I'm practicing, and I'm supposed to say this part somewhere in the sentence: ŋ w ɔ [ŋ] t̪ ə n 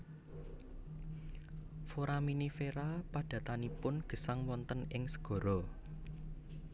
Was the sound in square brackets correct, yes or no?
no